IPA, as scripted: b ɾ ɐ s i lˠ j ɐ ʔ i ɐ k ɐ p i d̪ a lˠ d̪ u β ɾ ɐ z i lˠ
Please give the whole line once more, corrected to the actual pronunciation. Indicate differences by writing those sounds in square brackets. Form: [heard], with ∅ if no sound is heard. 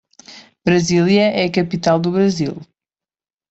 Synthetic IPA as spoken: b ɾ ɐ [z] i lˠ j ɐ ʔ [ɛ] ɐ k ɐ p i [t̪] a lˠ d̪ u β ɾ ɐ z i lˠ